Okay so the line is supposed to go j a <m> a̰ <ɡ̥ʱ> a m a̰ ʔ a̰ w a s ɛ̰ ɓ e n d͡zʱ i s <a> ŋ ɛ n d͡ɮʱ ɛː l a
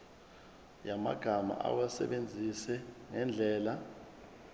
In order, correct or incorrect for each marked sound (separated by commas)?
correct, correct, incorrect